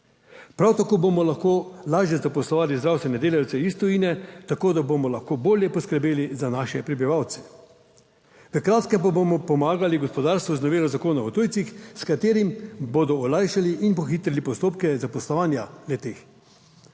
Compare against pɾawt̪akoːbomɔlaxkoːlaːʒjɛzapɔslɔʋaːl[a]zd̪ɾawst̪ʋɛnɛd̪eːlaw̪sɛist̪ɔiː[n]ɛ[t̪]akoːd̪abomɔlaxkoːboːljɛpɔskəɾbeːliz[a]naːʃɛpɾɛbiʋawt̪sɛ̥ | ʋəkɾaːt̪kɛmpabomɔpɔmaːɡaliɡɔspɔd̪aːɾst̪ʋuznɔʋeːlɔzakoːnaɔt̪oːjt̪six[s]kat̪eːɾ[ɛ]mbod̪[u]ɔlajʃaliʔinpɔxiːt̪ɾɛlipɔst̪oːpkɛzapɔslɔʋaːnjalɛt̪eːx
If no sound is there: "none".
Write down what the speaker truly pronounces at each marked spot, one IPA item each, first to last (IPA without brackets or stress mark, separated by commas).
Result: i, n, t̪, a, s, i, ɔ